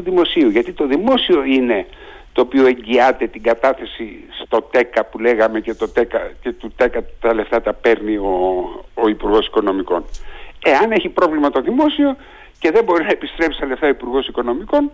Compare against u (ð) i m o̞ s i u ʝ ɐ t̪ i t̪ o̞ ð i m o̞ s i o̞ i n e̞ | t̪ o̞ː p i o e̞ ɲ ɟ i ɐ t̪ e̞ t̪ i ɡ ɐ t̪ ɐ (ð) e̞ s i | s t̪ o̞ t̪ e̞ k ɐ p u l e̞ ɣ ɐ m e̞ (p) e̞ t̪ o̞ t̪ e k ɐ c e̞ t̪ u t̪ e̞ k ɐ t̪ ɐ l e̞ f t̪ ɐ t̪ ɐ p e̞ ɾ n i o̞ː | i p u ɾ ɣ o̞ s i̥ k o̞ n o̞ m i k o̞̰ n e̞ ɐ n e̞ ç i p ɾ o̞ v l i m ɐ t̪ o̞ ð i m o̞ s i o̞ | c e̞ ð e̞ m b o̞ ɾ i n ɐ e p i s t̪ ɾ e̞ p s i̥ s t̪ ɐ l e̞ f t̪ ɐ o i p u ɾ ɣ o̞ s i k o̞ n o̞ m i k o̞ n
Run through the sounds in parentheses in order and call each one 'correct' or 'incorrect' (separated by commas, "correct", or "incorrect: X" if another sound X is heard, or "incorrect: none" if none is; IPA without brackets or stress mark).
correct, incorrect: θ, incorrect: c